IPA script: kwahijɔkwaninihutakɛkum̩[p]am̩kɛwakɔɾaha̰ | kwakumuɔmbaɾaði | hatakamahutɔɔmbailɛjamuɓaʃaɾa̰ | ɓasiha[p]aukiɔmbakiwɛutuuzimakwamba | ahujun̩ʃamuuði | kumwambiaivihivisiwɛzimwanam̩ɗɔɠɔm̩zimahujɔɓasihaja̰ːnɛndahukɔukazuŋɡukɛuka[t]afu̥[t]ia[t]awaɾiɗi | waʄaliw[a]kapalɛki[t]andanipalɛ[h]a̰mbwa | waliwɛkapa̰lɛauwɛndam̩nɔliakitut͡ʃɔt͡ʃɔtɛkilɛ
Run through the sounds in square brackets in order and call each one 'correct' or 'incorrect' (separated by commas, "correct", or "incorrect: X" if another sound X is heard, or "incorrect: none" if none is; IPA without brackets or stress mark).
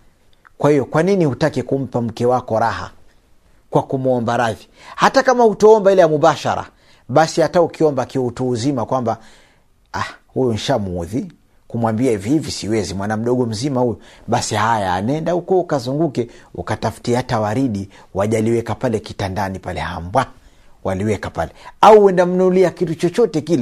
correct, incorrect: t, correct, correct, correct, incorrect: ɛ, correct, correct